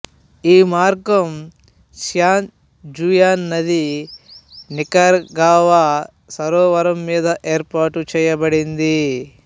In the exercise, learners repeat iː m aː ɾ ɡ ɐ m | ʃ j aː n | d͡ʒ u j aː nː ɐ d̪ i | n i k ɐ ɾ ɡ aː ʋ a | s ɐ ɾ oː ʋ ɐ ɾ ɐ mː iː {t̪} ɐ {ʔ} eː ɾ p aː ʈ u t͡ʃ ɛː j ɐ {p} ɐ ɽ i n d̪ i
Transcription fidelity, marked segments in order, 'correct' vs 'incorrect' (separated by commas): incorrect, correct, incorrect